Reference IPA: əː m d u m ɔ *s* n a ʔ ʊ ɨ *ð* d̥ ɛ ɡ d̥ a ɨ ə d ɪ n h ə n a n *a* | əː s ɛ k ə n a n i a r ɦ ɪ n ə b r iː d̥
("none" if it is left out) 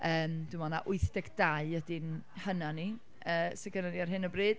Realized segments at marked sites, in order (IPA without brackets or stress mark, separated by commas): none, θ, i